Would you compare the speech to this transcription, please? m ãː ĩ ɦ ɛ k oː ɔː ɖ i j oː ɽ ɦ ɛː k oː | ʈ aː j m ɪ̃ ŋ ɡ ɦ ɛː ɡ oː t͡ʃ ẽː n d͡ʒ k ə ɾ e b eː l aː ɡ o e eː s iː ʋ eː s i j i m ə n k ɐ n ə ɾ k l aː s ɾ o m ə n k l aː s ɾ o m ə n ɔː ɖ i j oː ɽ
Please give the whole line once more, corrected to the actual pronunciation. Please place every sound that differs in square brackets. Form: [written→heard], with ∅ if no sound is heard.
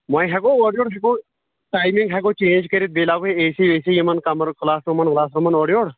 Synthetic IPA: m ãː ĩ ɦ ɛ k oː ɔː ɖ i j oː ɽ ɦ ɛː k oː | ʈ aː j m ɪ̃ ŋ ɡ ɦ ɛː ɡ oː t͡ʃ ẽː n d͡ʒ k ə ɾ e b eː l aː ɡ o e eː s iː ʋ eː s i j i m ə n k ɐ [n→m] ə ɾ k l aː s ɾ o m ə n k l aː s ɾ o m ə n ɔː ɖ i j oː ɽ